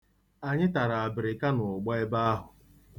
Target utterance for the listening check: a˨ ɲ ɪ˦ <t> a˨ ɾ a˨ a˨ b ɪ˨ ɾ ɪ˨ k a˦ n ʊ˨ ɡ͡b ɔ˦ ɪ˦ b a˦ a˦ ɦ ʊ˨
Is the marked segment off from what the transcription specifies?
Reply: no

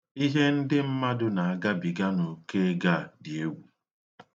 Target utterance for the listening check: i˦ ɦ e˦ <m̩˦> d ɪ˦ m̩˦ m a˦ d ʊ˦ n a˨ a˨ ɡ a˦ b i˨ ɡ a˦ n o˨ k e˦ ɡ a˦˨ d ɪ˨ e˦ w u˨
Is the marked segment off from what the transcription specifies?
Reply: yes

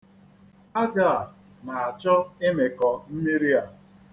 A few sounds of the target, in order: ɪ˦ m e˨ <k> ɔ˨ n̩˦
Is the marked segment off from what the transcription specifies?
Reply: no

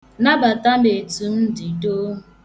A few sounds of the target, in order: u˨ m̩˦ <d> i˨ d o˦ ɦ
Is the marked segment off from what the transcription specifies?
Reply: no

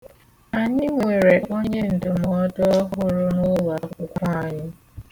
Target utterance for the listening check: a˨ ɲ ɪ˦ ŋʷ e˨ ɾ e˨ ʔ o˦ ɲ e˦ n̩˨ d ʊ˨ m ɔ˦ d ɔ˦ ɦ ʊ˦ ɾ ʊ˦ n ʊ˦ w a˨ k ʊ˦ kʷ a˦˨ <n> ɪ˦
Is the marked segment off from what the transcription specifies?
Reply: yes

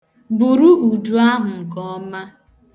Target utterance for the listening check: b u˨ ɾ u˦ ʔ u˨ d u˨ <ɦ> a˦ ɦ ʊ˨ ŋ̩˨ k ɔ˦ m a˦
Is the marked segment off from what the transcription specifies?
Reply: yes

